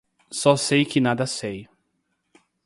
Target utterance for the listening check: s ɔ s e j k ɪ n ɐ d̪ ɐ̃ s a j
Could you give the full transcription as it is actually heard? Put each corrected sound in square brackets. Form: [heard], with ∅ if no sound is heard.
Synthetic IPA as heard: s ɔ s e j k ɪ n [a] d̪ [ɐ] s [e] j